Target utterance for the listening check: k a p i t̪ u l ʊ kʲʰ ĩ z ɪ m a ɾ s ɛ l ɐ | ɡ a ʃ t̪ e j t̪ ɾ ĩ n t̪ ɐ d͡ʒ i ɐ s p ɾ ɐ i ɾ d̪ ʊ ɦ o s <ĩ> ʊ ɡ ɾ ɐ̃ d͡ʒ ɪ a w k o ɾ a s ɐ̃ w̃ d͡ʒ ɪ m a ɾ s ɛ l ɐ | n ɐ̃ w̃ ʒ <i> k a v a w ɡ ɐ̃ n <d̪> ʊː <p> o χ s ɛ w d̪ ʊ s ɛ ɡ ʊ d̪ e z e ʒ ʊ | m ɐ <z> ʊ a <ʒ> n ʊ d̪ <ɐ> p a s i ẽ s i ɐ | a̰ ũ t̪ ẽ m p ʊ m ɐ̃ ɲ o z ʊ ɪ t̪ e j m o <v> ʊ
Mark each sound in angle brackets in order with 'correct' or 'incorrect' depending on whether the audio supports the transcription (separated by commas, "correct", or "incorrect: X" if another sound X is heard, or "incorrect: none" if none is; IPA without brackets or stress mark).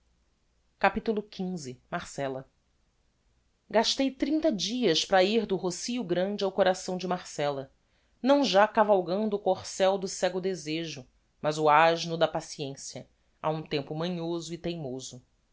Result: incorrect: i, incorrect: a, correct, incorrect: k, correct, correct, correct, incorrect: z